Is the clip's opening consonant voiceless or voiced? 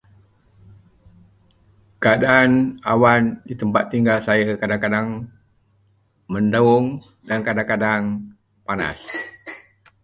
voiceless